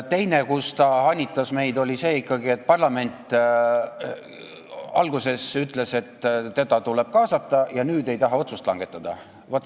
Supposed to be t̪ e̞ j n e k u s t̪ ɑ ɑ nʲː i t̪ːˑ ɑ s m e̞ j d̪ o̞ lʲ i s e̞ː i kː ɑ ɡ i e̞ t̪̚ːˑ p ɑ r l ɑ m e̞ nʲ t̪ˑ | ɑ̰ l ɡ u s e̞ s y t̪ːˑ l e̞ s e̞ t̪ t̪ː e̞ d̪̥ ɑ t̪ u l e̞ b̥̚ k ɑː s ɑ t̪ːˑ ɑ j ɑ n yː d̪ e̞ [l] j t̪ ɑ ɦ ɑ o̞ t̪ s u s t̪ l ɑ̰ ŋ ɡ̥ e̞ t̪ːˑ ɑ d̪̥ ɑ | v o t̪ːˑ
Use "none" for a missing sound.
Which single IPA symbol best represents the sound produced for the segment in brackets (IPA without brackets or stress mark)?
none